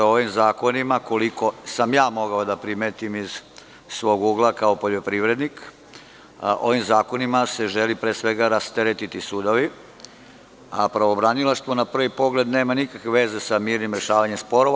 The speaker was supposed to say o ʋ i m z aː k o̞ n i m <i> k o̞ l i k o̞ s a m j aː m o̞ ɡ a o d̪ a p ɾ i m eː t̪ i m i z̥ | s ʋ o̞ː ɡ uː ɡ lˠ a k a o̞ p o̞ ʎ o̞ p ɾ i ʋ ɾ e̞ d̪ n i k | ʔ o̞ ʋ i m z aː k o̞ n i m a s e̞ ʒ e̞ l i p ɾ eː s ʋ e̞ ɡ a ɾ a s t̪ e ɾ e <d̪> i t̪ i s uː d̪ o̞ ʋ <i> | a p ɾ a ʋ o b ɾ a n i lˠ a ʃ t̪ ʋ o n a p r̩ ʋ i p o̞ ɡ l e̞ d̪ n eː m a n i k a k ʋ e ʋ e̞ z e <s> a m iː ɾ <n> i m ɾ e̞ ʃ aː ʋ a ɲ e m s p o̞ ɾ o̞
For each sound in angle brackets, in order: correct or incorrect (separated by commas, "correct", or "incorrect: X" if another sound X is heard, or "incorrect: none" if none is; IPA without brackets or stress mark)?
incorrect: a, incorrect: t̪, correct, correct, correct